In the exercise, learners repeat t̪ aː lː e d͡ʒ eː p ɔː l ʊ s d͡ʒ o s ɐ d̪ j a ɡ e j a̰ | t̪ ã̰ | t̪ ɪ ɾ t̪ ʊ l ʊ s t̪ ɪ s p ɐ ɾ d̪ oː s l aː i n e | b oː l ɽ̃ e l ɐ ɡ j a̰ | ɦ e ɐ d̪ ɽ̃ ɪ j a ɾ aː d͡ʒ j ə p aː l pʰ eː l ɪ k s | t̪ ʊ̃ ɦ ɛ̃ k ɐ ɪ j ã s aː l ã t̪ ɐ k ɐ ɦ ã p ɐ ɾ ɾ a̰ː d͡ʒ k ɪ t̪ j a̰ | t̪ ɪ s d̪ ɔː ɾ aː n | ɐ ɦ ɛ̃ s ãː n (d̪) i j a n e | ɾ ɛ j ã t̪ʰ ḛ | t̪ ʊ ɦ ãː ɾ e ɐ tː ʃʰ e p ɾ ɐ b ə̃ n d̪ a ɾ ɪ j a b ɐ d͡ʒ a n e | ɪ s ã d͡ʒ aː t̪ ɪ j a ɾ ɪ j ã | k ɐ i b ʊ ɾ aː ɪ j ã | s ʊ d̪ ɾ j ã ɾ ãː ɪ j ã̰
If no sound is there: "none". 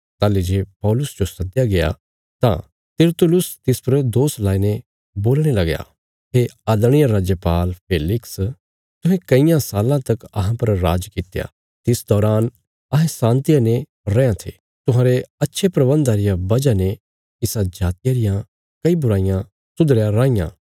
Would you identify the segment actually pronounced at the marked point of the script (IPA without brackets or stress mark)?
t̪